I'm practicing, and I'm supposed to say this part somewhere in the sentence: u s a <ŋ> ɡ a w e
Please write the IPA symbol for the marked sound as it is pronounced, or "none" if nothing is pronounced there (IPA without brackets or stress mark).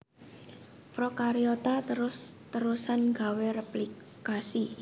n